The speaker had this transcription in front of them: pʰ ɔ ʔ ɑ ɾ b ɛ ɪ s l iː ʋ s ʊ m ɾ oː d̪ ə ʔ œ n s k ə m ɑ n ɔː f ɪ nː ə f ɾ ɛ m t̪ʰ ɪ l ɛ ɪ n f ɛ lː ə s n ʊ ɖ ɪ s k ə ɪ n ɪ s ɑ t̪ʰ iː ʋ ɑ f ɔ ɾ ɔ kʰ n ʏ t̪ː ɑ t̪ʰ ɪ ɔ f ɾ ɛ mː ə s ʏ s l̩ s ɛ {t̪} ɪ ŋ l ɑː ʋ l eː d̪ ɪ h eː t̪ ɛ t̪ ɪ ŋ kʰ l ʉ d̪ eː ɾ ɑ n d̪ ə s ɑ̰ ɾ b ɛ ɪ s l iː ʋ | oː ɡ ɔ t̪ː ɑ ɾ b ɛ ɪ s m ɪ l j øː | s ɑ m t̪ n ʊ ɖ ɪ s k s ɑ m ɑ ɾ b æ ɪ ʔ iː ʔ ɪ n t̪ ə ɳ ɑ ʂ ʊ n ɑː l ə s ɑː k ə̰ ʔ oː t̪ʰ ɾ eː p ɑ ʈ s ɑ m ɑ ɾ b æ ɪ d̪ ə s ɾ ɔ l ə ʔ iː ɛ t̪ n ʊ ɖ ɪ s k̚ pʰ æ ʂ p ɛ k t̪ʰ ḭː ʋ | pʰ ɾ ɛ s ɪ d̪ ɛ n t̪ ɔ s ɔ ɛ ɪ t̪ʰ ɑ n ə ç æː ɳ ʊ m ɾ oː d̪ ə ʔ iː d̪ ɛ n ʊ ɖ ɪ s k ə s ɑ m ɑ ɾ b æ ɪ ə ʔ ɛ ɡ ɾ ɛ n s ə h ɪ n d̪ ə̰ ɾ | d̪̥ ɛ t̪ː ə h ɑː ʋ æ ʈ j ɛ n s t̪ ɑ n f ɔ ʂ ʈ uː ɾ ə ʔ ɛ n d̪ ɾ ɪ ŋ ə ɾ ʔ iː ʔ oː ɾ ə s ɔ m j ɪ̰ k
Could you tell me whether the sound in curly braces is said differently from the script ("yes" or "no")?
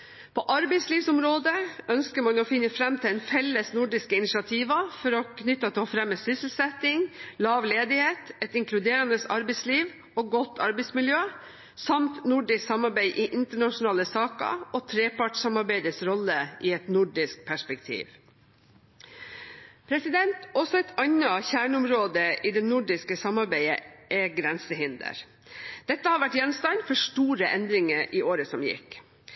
no